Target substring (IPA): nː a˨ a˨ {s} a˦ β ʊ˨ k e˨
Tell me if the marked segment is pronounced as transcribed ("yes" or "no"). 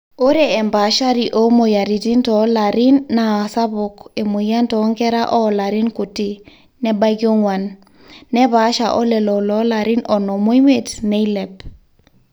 yes